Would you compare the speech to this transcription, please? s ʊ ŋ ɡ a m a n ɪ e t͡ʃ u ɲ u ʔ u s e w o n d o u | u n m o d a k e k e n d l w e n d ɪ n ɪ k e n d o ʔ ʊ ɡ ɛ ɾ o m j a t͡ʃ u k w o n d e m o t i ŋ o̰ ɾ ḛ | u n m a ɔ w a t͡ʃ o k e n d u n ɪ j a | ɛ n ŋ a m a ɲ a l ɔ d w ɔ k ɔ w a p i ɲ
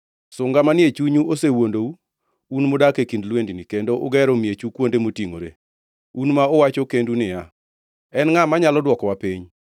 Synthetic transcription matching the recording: s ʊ ŋ ɡ a m a n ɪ e t͡ʃ u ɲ u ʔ o s e w o n d o u | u n m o d a k e k i n d l w e n d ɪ n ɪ k e n d o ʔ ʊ ɡ ɛ ɾ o m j e t͡ʃ u k w o n d e m o t i ŋ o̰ ɾ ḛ | u n m a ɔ w a t͡ʃ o k e n d u n ɪ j a | ɛ n ŋ a m a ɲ a l ɔ d w ɔ k ɔ w a p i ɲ